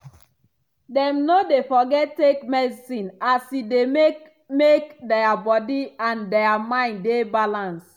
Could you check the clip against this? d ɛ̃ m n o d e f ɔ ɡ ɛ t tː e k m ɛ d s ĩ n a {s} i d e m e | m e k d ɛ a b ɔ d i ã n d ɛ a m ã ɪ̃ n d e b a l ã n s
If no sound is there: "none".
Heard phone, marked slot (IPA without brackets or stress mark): s